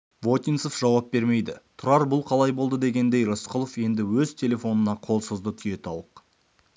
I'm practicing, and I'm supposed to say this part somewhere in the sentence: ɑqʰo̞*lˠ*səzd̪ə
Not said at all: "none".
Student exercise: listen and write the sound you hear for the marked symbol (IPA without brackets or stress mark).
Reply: lˠ